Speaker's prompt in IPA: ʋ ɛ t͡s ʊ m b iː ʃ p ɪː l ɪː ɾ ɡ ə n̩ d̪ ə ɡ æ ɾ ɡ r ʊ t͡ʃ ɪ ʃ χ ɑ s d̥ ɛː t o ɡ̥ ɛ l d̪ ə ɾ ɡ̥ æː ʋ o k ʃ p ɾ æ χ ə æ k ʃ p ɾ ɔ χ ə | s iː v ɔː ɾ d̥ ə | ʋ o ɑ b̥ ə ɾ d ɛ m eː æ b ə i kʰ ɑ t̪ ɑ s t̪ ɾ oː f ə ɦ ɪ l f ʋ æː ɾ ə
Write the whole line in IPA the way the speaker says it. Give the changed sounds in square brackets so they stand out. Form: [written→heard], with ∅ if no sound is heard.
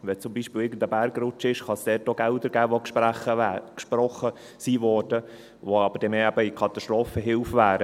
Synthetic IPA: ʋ ɛ t͡s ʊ m b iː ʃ p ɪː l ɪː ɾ ɡ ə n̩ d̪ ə [ɡ→b] æ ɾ ɡ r ʊ t͡ʃ ɪ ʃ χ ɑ s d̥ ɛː t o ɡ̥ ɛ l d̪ ə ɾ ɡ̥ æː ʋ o k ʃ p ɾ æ χ ə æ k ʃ p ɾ ɔ χ ə | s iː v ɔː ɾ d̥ ə | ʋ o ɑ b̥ ə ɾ d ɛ m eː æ b ə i kʰ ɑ t̪ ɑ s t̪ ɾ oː f ə ɦ ɪ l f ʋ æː ɾ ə

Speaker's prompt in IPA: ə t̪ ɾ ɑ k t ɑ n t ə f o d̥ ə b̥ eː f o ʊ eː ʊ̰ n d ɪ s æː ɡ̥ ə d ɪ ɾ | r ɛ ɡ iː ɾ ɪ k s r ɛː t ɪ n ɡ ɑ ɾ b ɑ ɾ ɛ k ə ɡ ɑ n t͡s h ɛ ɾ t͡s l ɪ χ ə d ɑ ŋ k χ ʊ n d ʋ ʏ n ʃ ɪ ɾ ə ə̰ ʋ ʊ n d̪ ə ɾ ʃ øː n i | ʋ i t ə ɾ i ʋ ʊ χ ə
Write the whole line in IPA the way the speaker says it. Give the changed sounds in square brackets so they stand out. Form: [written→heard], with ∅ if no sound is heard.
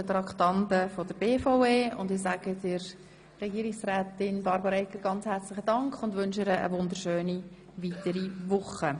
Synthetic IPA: ə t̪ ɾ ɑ k t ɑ n t ə f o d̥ ə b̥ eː f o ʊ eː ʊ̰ n d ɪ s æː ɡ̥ ə d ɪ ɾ | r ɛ ɡ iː ɾ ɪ k s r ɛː t ɪ n [ɡ→b] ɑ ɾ b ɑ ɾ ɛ k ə ɡ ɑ n t͡s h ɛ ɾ t͡s l ɪ χ ə d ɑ ŋ k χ ʊ n d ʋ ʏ n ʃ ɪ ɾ ə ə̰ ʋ ʊ n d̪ ə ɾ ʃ øː n i | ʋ i t ə ɾ i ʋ ʊ χ ə

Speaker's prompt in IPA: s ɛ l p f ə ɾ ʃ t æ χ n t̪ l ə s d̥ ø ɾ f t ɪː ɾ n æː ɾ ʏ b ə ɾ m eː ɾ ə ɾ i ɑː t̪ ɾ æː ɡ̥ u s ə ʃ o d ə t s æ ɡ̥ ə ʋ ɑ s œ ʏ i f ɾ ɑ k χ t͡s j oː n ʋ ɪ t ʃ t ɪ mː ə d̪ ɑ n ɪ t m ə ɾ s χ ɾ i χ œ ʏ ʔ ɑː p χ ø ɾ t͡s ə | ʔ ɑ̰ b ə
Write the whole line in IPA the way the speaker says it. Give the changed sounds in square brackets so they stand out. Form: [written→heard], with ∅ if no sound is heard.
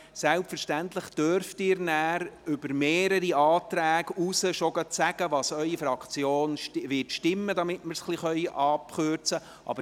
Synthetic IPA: s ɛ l p f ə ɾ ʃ t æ [χ→∅] n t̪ l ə [s→χ] d̥ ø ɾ f t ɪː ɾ n æː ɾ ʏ b ə ɾ m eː ɾ ə ɾ i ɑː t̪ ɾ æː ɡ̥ u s ə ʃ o [d→ɡ] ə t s æ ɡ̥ ə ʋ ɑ s œ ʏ i f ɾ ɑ k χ t͡s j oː n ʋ ɪ t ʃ t ɪ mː ə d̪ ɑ [n→m] ɪ t m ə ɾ s χ [ɾ→l] i χ œ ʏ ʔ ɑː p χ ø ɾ t͡s ə | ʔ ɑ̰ b ə

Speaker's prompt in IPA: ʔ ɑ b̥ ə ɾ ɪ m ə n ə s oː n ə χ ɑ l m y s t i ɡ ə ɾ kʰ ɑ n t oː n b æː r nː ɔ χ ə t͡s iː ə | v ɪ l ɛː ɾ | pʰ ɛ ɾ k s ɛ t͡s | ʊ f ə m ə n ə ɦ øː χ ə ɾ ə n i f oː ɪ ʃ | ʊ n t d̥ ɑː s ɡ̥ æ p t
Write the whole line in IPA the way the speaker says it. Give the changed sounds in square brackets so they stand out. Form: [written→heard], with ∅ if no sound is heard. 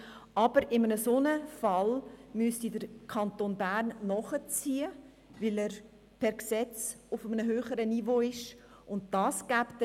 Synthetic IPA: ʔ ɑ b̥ ə ɾ ɪ m ə n ə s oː n ə [χ→f] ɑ l m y s t i [ɡ→d] ə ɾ kʰ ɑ n t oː n b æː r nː ɔ χ ə t͡s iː ə | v ɪ l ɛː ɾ | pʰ ɛ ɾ k s ɛ t͡s | ʊ f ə m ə n ə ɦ øː χ ə ɾ ə n i [f→v] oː ɪ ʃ | ʊ n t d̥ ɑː s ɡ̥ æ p t

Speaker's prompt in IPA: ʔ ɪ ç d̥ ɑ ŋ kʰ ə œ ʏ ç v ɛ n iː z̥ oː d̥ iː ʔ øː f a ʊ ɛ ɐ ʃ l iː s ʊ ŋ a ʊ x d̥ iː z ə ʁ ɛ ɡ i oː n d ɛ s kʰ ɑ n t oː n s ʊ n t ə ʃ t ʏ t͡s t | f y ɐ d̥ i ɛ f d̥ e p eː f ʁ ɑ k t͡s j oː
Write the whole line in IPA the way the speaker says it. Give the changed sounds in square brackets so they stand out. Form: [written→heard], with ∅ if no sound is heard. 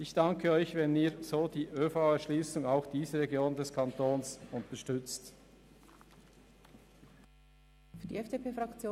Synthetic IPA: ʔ ɪ ç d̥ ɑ ŋ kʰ ə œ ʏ ç v ɛ n iː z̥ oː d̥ iː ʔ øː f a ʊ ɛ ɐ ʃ l iː s ʊ ŋ a ʊ x d̥ iː z ə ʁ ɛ ɡ [i→j] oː n d ɛ s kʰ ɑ n t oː n s ʊ n t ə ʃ t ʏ t͡s t | f y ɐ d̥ i ɛ f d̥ e p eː f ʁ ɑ k t͡s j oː

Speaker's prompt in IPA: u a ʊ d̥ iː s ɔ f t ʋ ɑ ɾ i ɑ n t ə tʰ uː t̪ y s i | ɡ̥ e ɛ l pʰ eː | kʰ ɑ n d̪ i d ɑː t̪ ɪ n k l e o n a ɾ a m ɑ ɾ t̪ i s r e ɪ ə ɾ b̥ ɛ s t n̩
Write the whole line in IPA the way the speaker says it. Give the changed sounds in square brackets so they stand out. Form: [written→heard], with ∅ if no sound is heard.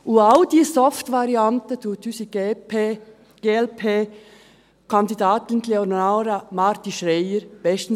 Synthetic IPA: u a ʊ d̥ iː s ɔ f t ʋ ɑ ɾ i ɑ n t ə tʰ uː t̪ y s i | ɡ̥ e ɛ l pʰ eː | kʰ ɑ n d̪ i d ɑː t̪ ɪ n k l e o n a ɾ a m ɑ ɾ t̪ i [s→ʃ] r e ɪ ə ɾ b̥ ɛ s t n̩

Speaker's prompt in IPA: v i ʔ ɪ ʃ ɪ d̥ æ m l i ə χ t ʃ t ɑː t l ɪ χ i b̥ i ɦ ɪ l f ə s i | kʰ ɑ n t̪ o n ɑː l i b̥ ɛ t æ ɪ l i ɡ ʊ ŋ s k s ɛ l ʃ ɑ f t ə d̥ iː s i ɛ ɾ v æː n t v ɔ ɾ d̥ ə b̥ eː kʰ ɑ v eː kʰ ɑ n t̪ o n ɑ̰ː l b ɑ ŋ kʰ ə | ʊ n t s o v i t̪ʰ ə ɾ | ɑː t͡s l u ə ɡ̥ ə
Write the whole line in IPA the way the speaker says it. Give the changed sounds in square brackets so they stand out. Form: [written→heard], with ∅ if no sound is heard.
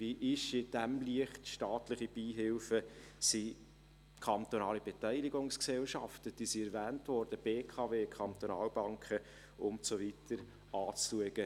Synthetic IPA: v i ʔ ɪ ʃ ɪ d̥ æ m l i ə χ t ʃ t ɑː t l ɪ χ i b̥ [i→iː] ɦ ɪ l f ə s i | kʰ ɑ n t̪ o n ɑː l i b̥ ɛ t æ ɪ l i ɡ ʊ ŋ s k s ɛ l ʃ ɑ f t ə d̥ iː s i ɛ ɾ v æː n t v ɔ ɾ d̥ ə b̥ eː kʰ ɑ v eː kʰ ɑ n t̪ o n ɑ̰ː l b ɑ ŋ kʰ ə | ʊ n t s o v i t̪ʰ ə ɾ | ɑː t͡s l u ə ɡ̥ ə

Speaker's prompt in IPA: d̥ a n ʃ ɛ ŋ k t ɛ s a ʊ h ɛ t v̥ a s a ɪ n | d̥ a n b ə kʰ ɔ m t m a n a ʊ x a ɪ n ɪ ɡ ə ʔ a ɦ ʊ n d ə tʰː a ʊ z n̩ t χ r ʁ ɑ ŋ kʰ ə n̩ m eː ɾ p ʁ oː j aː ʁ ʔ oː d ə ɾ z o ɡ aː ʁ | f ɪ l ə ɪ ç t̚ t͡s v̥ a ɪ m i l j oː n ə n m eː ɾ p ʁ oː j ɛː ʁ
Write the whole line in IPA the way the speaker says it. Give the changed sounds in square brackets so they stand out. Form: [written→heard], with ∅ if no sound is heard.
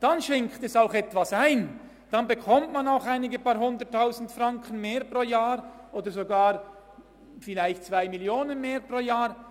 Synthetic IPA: d̥ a n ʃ ɛ ŋ k t ɛ s a ʊ [h→x] ɛ t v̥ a s a ɪ n | d̥ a n b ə kʰ ɔ m t m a n a ʊ x a ɪ n ɪ ɡ ə [ʔ→p] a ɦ ʊ n d ə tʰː a ʊ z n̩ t [χ→f] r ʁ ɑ ŋ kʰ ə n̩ m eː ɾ p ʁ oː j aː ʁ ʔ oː d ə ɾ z o ɡ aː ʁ | f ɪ l [ə→a] ɪ ç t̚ t͡s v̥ a ɪ m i l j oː n ə n m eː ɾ p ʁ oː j [ɛː→aː] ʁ

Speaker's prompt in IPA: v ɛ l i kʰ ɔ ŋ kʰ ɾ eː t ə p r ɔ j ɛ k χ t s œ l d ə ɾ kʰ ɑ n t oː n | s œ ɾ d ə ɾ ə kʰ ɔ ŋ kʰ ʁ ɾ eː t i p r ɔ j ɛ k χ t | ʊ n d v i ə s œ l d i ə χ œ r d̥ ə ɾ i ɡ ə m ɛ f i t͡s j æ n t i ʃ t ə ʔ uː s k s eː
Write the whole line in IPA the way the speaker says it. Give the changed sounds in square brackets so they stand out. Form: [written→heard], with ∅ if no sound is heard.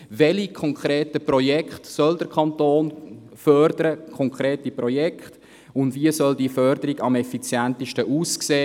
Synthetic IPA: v ɛ l i kʰ ɔ ŋ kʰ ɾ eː t ə p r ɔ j ɛ k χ t s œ l d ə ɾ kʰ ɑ n t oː n | [s→f] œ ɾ d ə ɾ ə kʰ ɔ ŋ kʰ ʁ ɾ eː t i p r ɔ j ɛ k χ t | ʊ n d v i ə s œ l d i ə [χ→f] œ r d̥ ə ɾ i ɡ [ə→ɑ] m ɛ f i t͡s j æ n t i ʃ t ə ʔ uː s k s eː

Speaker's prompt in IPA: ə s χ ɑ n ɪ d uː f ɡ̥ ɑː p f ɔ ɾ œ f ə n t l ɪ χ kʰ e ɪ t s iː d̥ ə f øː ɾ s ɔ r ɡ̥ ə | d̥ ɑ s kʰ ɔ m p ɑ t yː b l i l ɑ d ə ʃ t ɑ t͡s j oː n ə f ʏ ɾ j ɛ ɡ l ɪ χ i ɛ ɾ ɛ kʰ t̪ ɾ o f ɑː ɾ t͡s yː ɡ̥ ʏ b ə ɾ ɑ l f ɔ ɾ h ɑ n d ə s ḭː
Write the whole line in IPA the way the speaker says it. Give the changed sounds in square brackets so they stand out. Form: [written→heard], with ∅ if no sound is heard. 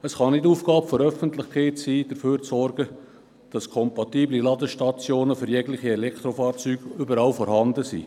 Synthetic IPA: ə s χ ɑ n ɪ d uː f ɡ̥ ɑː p f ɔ ɾ œ f ə n t l ɪ χ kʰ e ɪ t s iː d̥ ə f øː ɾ [s→t͡s] ɔ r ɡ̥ ə | d̥ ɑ s kʰ ɔ m p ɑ t [yː→iː] b l i l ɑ d ə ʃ t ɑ t͡s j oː n ə f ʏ ɾ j ɛ ɡ l ɪ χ i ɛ [ɾ→l] ɛ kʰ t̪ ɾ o f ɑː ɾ t͡s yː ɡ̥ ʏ b ə ɾ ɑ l f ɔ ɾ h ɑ n d ə s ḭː

